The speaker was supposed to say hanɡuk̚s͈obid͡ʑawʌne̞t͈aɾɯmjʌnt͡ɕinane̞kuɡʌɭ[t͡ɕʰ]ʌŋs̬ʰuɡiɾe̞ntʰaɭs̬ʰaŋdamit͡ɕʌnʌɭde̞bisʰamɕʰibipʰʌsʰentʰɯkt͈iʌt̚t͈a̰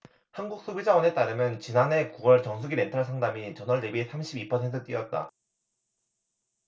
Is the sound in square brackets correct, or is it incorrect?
incorrect